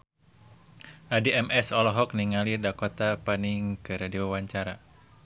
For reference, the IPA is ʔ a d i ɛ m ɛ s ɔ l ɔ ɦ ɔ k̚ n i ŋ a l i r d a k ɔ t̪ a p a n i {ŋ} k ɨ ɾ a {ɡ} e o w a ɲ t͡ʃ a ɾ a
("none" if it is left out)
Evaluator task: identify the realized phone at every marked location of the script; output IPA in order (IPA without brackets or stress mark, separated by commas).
ŋ, d